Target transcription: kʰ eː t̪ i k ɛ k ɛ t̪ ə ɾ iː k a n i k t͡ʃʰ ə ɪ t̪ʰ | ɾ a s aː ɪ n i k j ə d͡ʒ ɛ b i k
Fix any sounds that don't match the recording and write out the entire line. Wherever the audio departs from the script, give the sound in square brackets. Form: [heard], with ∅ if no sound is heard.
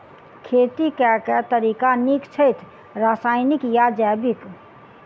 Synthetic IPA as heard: kʰ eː t̪ i k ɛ k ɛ t̪ ə ɾ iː k a n i k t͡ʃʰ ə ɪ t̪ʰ | ɾ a s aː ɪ n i k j [a] d͡ʒ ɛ b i k